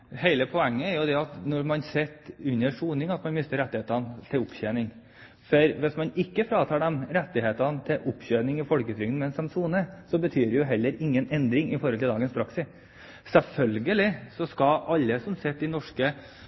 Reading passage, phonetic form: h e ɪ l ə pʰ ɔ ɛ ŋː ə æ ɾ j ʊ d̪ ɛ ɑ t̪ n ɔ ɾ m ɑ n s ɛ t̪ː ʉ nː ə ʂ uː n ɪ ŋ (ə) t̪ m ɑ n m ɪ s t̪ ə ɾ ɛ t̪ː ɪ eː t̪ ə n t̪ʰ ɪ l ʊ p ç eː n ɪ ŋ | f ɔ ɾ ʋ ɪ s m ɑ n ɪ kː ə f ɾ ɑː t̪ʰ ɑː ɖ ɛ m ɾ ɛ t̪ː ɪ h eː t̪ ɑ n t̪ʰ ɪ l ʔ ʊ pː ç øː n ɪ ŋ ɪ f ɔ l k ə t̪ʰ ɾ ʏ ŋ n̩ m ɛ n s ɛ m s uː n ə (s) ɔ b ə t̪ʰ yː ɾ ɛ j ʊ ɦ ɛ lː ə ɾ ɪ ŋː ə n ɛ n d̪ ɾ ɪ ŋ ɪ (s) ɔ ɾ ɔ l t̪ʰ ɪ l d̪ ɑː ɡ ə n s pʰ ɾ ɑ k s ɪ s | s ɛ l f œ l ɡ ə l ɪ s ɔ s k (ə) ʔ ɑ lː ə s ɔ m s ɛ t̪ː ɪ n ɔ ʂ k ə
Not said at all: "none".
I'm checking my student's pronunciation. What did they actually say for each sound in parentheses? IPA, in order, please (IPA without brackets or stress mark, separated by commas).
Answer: ɑ, s, f, ɑ